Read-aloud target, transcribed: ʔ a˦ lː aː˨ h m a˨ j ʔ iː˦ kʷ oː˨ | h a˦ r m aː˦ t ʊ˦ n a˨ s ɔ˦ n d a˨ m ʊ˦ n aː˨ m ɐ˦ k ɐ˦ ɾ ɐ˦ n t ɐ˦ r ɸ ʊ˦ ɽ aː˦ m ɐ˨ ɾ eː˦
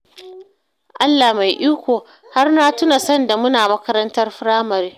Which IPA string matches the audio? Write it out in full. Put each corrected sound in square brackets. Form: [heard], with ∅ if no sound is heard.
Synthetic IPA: ʔ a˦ lː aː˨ h m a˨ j ʔ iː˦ kʷ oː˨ | h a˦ r [n] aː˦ t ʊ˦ n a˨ s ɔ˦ n d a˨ m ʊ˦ n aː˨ m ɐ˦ k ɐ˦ ɾ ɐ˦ n t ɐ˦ r ɸ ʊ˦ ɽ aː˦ m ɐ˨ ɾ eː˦